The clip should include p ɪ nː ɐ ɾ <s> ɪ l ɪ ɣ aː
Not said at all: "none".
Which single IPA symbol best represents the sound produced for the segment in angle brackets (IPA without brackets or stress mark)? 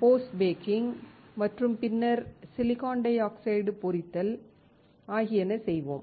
s